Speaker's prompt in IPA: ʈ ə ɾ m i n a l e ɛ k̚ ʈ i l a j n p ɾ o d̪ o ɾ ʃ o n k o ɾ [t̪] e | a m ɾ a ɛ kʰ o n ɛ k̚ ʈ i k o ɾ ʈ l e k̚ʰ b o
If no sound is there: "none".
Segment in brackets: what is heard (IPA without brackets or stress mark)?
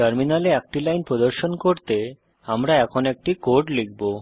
t̪